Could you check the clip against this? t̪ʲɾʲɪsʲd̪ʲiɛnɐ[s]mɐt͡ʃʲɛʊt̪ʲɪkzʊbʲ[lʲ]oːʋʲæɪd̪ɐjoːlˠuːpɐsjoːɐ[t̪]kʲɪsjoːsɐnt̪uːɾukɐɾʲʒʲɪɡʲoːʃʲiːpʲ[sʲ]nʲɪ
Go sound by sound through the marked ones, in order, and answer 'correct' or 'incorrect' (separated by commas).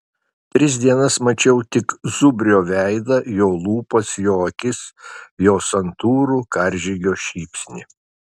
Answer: correct, incorrect, incorrect, correct